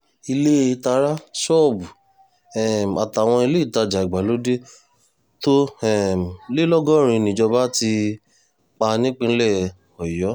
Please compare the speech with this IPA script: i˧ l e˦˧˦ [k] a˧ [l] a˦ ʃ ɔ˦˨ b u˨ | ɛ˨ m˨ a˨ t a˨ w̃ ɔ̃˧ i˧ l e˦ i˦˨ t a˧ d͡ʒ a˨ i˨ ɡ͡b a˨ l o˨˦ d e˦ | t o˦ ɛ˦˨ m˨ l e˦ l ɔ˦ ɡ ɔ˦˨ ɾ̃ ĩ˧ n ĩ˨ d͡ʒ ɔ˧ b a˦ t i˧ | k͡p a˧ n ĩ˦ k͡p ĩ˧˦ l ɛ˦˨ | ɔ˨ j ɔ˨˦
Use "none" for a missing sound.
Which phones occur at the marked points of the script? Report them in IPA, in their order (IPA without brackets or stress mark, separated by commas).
t, ɾ